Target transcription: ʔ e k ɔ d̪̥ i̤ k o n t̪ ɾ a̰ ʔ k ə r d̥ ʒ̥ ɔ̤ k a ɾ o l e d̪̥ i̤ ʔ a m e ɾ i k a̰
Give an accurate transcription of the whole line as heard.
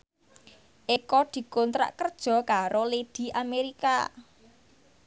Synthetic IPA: ʔ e k ɔ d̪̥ i̤ k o n t̪ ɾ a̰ ʔ k ə r d̥ ʒ̥ ɔ̤ k a ɾ o l e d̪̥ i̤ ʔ a m e ɾ i k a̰